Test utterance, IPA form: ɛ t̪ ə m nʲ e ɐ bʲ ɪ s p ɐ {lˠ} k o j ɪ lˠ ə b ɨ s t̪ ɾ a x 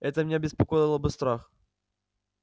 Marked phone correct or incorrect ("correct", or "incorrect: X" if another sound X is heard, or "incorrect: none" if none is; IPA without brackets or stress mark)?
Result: incorrect: none